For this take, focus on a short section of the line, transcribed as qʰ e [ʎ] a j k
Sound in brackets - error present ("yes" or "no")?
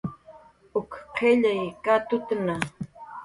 no